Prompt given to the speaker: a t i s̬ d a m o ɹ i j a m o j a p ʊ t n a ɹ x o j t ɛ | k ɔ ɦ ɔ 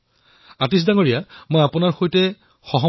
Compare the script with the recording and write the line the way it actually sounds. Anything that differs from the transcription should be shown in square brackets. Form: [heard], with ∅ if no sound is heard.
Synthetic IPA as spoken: a t i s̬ d a [ŋ] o ɹ i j a m o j a p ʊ [∅] n a ɹ x o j t ɛ | [x] ɔ ɦ ɔ

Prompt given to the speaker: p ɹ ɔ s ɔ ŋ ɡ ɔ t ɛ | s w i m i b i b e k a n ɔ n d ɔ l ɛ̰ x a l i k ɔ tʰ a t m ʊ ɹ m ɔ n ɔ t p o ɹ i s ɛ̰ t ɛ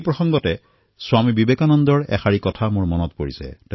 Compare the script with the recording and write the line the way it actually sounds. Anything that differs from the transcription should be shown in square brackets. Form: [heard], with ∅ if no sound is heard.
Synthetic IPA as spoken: p ɹ ɔ [x] ɔ ŋ ɡ ɔ t ɛ | s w [a] m i b i b e k a n ɔ n d ɔ [ɹ] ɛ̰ x a [ɹ] i k ɔ tʰ a [∅] m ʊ ɹ m ɔ n ɔ t p o ɹ i s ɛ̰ t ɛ

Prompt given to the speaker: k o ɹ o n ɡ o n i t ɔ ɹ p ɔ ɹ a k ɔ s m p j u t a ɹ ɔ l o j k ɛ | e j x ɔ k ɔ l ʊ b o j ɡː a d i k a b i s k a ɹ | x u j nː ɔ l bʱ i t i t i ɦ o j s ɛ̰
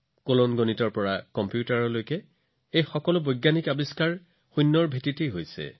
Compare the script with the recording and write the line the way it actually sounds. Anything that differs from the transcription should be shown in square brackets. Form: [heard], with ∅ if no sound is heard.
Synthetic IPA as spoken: k o [l] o n ɡ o n i t ɔ ɹ p ɔ ɹ a k ɔ [∅] m p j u t a ɹ ɔ l o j k ɛ | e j x ɔ k ɔ l ʊ b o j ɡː a [n] i k a b i s k a ɹ | x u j nː ɔ [ɹ] bʱ i t i t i ɦ o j s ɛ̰

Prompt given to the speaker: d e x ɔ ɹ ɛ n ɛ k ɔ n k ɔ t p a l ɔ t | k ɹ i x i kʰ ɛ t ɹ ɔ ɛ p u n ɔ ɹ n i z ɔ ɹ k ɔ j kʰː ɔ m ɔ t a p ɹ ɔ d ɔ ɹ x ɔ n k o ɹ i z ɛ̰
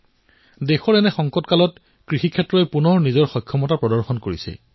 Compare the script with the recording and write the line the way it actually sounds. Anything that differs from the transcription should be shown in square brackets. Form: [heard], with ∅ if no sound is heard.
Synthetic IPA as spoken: d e x ɔ ɹ ɛ n ɛ [x] ɔ [ŋ] k ɔ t [k] a l ɔ t | k ɹ i x i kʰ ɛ t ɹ ɔ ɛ p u n ɔ ɹ n i z ɔ ɹ [x] ɔ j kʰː ɔ m ɔ t a p ɹ ɔ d ɔ ɹ x ɔ n k o ɹ i [s] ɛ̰

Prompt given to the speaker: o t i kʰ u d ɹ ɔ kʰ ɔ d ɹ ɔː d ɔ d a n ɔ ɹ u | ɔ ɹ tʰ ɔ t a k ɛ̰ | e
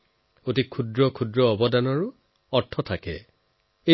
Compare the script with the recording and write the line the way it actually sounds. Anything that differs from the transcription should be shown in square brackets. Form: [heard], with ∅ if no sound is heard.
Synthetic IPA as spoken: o t i kʰ u d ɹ ɔ kʰ [u] d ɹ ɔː [b] ɔ d a n ɔ ɹ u | ɔ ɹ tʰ ɔ [tʰ] a k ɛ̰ | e

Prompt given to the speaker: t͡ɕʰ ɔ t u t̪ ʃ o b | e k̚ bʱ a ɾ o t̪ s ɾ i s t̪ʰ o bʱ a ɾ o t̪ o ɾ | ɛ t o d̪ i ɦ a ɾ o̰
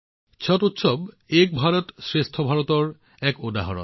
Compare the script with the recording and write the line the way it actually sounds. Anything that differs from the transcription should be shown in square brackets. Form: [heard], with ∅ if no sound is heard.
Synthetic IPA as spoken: t͡ɕʰ ɔ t u t̪ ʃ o b | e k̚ bʱ a ɾ o t̪ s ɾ [e] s t̪ʰ o bʱ a ɾ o t̪ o ɾ | ɛ [k] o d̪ [a] ɦ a ɾ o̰

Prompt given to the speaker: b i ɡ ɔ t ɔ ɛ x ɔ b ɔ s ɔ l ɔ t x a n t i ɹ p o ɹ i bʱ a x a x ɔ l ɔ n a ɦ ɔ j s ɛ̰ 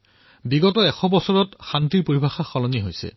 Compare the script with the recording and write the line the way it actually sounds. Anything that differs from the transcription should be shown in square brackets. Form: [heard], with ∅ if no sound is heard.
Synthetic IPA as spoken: b i ɡ ɔ t ɔ ɛ x ɔ b ɔ s ɔ [ɹ] ɔ t x a n t i ɹ p o ɹ i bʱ a x a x ɔ l ɔ n [i] ɦ [o] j s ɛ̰

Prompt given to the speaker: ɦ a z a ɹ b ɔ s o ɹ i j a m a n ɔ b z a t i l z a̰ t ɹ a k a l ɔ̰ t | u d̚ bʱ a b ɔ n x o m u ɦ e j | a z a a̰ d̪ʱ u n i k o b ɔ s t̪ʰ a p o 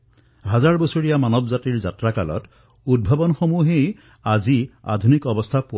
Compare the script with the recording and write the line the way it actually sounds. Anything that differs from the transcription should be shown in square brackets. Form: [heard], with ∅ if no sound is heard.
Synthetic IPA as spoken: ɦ a z a ɹ b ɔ s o ɹ i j a m a n ɔ b z a t i [ɹ] z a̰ t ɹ a k a l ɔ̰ t | u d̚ bʱ a b ɔ n x o m u ɦ e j | a z [i] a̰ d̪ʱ u n i k [ɔ] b ɔ s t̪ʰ a p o

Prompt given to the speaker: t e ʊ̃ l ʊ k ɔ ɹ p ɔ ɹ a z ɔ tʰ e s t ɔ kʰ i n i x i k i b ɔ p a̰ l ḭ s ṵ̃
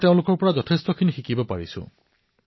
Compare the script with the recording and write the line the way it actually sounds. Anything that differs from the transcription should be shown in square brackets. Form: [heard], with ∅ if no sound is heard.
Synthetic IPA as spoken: t e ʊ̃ l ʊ k ɔ ɹ p ɔ ɹ a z ɔ tʰ e s t ɔ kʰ i n i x i k i b ɔ p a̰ [ɹ] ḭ s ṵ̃

